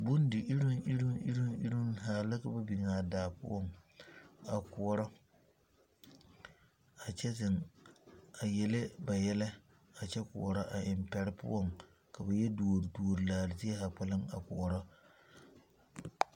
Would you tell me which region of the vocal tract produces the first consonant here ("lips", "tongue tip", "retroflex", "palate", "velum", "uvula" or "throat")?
lips